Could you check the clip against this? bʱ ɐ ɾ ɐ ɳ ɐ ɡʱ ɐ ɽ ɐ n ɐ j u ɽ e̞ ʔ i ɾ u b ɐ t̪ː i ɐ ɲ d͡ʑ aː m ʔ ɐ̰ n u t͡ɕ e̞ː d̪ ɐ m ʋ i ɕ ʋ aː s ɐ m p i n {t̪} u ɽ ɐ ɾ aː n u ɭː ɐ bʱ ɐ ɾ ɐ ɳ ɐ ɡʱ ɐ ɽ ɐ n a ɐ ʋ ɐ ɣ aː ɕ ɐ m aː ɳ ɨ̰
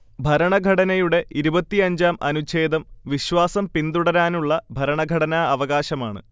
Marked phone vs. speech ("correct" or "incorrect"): incorrect